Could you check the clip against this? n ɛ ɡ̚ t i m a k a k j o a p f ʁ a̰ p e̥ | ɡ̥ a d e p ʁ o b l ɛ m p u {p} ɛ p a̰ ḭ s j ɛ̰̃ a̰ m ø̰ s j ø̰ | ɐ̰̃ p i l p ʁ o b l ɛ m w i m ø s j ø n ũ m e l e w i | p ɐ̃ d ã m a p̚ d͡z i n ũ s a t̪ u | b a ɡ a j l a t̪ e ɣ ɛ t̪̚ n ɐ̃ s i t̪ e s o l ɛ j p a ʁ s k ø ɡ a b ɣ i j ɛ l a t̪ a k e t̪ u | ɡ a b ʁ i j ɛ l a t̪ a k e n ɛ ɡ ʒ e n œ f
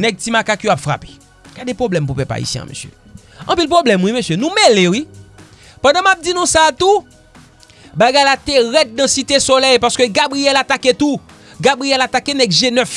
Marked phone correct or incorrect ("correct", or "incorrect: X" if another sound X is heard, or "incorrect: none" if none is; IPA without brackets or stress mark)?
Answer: correct